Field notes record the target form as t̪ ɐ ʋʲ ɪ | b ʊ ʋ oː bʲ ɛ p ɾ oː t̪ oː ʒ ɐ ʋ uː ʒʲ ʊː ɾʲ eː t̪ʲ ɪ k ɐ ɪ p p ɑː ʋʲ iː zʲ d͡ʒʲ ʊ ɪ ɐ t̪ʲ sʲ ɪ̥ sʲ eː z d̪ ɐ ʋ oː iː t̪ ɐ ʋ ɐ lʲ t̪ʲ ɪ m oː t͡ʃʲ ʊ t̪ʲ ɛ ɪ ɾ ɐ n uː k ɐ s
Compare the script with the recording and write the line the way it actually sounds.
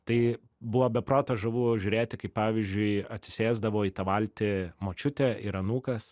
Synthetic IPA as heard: t̪ ɐ ɪ | b ʊ ʋ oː bʲ ɛ p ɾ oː t̪ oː ʒ ɐ ʋ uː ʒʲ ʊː ɾʲ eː t̪ʲ ɪ k ɐ ɪ p p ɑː ʋʲ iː zʲ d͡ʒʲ ʊ ɪ ɐ t̪ʲ sʲ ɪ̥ sʲ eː z d̪ ɐ ʋ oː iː t̪ ɐ ʋ ɐ lʲ t̪ʲ ɪ m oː t͡ʃʲ ʊ t̪ʲ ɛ ɪ ɾ ɐ n uː k ɐ s